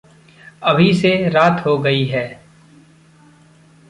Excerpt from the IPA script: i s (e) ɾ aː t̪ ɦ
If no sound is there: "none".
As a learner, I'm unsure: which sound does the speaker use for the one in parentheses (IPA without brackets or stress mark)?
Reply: e